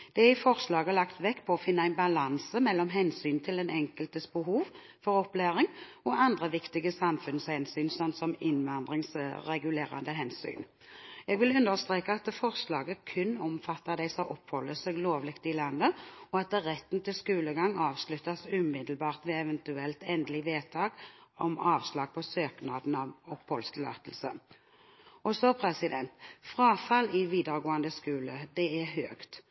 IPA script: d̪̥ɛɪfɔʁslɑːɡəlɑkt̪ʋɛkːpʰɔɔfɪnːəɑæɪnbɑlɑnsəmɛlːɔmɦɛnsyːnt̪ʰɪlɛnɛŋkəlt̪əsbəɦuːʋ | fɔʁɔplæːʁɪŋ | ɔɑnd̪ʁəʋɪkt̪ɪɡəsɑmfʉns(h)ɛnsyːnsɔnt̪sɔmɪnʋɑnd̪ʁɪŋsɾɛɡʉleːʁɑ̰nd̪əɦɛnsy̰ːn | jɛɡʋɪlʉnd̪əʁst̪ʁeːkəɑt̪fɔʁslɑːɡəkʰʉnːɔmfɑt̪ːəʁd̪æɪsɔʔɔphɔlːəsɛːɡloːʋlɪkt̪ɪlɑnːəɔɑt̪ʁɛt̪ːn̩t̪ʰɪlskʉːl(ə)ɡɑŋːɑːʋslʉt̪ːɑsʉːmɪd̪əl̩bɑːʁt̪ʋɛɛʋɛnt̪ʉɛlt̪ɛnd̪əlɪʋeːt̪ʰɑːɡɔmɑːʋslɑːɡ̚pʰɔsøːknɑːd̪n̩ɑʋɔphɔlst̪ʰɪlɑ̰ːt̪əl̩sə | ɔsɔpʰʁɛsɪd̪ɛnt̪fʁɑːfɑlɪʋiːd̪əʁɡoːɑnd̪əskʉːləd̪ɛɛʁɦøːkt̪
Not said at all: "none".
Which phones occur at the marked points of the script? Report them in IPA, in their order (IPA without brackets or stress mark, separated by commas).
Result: h, ə